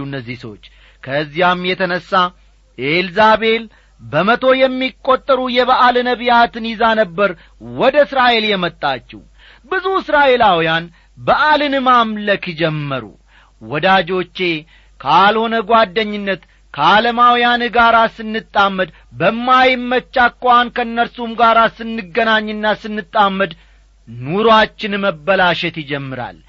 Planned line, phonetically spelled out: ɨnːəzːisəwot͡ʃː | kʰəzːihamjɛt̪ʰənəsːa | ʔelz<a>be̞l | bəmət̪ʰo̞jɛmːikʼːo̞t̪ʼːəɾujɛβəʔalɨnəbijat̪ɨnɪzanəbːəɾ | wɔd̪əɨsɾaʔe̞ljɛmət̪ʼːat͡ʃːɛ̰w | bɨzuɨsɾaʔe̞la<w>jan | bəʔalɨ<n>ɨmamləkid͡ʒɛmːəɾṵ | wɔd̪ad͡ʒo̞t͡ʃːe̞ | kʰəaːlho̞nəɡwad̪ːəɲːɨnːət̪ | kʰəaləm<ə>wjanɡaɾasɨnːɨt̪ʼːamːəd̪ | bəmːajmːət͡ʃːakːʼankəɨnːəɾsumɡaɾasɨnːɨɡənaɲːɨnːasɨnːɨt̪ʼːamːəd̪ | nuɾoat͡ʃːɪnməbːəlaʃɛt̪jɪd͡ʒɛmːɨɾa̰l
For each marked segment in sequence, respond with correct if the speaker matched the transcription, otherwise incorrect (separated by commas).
correct, correct, correct, incorrect